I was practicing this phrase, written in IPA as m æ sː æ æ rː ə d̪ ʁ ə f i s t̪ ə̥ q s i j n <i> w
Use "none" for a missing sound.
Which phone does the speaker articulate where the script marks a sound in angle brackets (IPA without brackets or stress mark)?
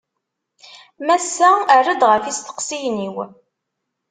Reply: i